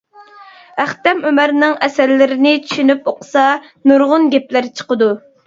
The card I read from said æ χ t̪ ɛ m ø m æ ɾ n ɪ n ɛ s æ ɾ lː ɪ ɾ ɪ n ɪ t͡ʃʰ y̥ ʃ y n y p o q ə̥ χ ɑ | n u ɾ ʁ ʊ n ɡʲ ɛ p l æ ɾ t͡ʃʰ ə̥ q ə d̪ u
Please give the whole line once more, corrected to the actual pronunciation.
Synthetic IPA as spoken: æ χ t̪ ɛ m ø m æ ɾ n ɪ ŋ ɛ s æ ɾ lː ɪ ɾ ɪ n ɪ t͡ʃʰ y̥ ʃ y n y p o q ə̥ s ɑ | n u ɾ ʁ ʊ n ɡʲ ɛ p l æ ɾ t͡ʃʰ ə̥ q ə d̪ u